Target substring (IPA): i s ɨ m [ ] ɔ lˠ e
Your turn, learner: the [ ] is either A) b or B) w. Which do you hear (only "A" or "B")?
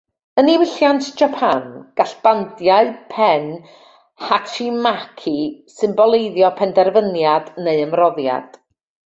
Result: A